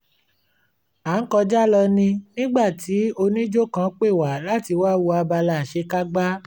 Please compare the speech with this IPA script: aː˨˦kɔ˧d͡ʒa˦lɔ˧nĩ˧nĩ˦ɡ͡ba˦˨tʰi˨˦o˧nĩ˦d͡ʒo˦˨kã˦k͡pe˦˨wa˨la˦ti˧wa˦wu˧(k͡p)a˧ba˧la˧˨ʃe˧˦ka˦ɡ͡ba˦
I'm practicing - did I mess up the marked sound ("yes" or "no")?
yes